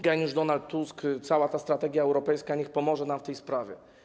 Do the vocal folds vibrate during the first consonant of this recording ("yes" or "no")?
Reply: yes